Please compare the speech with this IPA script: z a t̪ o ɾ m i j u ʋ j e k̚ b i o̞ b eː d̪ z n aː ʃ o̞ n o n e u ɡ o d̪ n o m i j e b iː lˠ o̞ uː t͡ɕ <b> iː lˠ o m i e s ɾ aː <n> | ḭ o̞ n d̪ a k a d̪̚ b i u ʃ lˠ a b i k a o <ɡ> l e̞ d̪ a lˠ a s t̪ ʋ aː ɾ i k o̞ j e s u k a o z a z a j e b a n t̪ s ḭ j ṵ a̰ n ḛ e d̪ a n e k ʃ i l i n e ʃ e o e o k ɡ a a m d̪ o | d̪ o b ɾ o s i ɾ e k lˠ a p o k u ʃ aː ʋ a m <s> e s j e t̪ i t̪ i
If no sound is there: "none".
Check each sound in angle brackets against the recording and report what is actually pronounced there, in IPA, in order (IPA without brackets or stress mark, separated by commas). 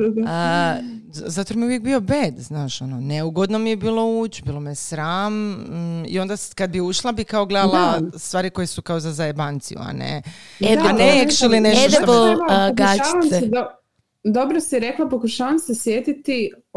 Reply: b, m, ɡ, s